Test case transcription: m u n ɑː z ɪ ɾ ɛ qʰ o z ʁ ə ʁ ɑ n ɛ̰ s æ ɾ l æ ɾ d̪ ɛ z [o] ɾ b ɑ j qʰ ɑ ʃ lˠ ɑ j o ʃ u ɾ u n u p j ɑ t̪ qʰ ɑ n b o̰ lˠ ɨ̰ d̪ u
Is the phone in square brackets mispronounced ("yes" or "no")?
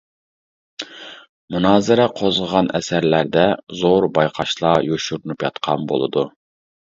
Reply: no